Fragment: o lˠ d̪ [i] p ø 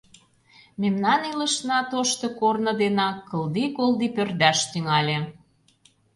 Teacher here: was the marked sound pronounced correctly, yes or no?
yes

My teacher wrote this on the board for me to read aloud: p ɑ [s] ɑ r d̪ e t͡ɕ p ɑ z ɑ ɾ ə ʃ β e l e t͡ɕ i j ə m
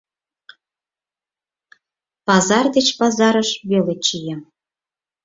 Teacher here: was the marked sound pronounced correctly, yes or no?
no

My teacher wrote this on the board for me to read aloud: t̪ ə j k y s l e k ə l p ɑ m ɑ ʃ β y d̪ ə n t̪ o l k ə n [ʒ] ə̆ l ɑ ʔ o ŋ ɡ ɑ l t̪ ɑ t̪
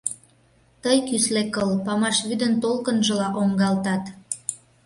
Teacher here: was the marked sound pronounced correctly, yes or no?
yes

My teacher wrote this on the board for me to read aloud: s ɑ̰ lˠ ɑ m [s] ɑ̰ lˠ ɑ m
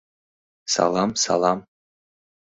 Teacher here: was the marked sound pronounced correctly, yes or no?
yes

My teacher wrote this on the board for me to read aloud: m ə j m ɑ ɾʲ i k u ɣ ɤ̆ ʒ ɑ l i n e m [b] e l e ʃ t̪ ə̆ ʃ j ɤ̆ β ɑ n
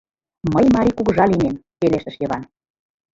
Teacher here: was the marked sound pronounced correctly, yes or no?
no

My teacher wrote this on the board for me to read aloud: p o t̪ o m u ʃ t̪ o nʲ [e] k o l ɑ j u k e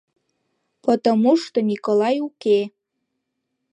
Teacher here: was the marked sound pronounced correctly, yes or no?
no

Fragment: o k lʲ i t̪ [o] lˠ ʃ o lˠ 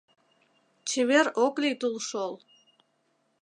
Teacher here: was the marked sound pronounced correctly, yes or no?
no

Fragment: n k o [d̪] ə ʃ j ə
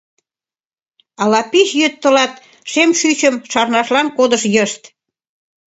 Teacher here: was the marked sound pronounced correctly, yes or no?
yes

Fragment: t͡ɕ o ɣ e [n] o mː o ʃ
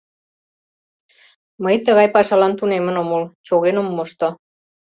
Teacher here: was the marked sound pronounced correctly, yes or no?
yes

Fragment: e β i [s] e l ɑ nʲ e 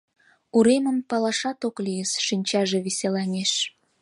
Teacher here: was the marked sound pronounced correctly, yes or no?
yes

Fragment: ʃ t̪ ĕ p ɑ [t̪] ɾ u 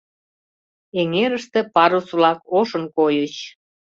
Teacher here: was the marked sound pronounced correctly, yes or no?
no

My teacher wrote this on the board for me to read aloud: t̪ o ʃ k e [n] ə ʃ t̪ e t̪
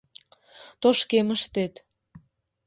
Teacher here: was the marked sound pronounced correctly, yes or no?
no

